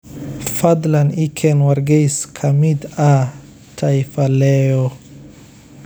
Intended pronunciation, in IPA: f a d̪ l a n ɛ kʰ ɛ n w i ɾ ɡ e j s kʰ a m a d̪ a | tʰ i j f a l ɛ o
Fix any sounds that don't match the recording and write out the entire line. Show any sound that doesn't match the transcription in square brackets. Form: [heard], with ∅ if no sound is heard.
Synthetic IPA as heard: f a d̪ l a n [i] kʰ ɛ n w [a] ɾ ɡ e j s kʰ a m [i] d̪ a | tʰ [a] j f a l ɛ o